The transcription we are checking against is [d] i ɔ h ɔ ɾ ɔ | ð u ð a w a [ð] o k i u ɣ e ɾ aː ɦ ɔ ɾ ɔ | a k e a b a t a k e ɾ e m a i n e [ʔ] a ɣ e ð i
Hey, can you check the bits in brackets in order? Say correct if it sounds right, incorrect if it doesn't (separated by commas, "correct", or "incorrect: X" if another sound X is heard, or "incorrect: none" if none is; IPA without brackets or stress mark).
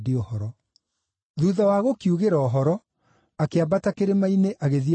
correct, incorrect: ɣ, correct